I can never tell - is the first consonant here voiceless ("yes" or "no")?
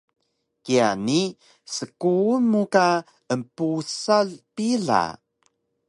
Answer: yes